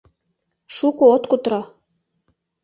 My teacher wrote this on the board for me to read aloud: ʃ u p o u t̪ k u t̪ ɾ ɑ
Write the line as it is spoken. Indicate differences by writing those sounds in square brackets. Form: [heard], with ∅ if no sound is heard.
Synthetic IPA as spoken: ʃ u [k] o [o] t̪ k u t̪ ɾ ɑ